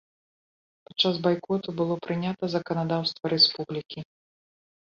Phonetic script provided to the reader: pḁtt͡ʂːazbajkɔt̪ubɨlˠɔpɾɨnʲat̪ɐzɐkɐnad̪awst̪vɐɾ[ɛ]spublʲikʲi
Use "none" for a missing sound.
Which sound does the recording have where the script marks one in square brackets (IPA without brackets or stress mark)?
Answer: ɛ